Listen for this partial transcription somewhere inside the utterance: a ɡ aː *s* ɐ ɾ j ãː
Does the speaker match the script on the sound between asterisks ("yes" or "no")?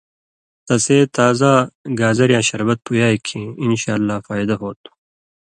no